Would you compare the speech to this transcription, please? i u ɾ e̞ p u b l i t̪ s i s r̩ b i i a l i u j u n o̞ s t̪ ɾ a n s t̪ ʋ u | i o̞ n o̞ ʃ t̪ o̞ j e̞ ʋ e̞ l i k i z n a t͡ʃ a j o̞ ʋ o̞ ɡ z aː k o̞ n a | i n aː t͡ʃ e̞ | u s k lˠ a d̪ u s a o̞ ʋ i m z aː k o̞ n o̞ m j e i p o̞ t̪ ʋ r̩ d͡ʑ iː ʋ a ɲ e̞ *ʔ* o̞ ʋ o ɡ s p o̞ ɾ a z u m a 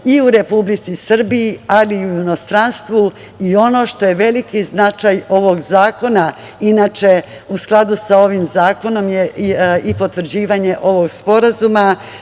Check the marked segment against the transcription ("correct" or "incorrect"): correct